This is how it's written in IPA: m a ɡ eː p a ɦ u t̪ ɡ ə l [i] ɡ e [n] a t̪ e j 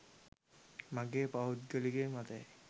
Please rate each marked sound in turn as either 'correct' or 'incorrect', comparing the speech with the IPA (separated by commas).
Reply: correct, incorrect